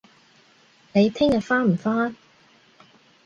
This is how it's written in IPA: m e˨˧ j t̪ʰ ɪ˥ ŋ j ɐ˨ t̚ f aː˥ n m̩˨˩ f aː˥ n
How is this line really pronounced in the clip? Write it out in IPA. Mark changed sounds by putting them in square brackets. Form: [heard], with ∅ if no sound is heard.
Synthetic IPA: [n] e˨˧ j t̪ʰ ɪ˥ ŋ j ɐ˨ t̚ f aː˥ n m̩˨˩ f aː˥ n